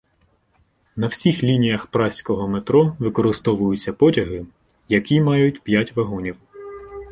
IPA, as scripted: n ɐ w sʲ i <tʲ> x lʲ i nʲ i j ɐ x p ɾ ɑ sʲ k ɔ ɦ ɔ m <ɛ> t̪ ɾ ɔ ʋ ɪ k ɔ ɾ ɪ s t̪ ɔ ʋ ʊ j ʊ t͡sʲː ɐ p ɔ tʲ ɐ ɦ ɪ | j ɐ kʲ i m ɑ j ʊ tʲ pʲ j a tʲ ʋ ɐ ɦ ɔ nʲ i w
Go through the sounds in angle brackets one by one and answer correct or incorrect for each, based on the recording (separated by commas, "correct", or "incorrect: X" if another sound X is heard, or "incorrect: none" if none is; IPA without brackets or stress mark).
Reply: incorrect: none, incorrect: e